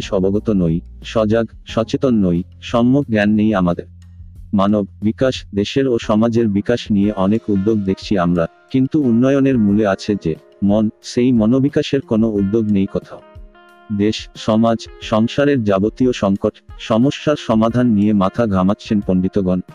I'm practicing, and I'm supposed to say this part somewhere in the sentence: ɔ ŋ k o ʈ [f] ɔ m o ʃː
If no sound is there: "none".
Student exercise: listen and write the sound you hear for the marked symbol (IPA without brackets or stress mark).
ʃ